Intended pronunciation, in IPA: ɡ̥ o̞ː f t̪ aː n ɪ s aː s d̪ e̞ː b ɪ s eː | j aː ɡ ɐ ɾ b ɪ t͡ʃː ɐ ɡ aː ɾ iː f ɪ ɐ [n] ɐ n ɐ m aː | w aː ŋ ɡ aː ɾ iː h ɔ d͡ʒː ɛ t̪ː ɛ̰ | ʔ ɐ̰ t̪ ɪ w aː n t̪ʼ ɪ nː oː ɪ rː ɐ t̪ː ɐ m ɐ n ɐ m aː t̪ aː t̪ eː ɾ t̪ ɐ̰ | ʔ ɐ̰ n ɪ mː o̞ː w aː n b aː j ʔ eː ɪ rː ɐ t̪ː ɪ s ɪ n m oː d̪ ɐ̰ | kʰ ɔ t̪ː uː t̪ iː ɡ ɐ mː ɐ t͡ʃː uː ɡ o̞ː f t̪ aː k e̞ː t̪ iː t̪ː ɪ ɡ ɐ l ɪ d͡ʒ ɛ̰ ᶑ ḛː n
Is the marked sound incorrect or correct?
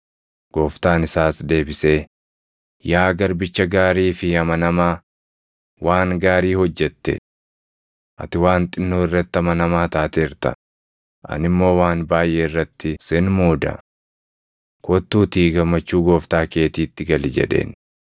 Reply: incorrect